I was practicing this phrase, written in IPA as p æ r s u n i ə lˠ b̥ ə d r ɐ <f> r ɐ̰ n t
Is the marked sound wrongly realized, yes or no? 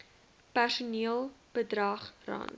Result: yes